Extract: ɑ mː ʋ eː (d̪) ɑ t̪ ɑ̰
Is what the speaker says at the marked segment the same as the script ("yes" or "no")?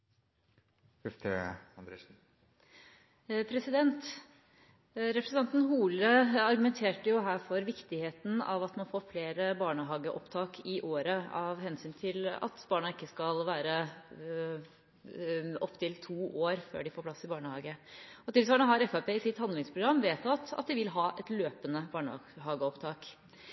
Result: no